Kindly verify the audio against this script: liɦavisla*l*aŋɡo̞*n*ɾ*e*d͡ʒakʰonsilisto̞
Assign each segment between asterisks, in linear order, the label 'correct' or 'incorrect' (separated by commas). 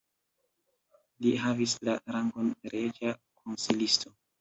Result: incorrect, correct, correct